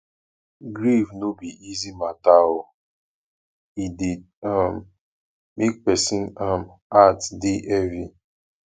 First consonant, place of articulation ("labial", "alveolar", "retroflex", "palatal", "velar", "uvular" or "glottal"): velar